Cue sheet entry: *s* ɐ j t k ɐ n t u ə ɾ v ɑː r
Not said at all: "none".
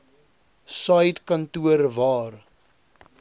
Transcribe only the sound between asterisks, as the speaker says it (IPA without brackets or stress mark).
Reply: s